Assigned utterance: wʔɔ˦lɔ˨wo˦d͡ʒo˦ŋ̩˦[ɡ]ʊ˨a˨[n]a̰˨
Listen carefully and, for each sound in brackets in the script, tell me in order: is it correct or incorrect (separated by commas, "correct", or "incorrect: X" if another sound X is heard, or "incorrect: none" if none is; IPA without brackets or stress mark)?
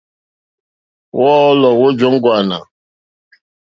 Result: correct, correct